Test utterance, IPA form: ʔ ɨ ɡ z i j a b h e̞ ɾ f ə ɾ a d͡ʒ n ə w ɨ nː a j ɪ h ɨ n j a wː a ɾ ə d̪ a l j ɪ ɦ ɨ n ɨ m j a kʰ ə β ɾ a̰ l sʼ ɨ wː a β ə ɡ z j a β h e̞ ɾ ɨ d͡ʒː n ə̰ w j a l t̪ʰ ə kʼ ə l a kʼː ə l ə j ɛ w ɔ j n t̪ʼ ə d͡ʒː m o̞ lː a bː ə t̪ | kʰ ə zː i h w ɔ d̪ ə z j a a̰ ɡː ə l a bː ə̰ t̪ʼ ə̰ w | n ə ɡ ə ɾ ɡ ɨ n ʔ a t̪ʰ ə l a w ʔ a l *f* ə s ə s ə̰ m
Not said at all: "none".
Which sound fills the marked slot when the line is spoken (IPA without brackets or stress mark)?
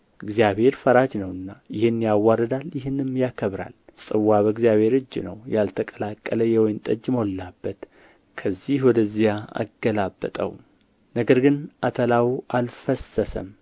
f